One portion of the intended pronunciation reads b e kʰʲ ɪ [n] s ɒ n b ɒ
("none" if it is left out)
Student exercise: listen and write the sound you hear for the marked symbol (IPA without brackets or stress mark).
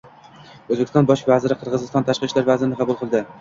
none